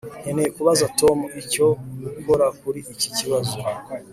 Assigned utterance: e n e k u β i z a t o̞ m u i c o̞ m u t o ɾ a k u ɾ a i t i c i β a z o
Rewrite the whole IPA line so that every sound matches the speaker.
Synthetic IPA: e n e k u β a z a t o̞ m u i c o̞ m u k o ɾ a k u ɾ i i c i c i β a z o